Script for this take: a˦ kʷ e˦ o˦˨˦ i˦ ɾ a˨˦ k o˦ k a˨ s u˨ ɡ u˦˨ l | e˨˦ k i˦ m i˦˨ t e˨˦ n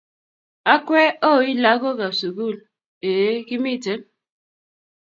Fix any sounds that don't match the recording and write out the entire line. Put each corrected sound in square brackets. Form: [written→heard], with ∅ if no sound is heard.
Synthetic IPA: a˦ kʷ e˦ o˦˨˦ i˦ [ɾ→l] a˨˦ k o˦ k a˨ s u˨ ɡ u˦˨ l | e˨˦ k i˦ m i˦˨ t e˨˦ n